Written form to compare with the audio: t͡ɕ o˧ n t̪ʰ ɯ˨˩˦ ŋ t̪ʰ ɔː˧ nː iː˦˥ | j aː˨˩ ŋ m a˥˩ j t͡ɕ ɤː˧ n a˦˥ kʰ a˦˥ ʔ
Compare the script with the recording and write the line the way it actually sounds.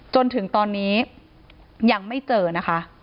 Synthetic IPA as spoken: t͡ɕ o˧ n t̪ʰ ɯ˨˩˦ ŋ t̪ ɔː˧ nː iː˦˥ | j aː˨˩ ŋ m a˥˩ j t͡ɕ ɤː˧ n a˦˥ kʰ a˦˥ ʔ